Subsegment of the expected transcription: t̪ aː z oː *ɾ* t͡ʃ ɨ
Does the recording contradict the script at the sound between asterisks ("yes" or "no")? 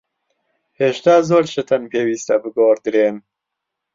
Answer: no